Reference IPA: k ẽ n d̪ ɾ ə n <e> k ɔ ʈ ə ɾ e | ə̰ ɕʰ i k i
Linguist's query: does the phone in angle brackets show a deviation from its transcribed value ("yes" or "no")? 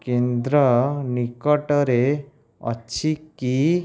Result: yes